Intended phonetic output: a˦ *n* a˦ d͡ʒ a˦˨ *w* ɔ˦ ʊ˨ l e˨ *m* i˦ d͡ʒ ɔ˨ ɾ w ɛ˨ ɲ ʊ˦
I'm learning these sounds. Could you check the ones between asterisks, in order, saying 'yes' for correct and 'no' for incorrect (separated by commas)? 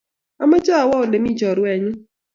no, yes, yes